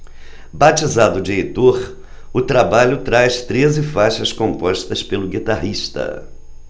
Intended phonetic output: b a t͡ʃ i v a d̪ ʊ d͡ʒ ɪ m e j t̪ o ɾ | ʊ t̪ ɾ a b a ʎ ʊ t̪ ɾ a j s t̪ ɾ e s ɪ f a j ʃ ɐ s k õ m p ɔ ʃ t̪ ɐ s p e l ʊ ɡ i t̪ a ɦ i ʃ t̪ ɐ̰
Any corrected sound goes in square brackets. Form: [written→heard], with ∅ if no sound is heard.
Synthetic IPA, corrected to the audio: b a t͡ʃ i [v→z] a d̪ ʊ d͡ʒ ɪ [m→∅] e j t̪ o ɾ | ʊ t̪ ɾ a b a ʎ ʊ t̪ ɾ a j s t̪ ɾ e [s→z] ɪ f a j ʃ ɐ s k õ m p ɔ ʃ t̪ ɐ s p e l ʊ ɡ i t̪ a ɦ i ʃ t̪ ɐ̰